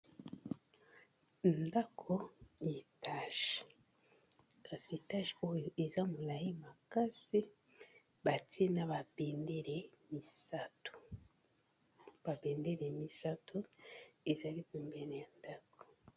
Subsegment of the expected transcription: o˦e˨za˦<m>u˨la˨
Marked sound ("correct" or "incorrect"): correct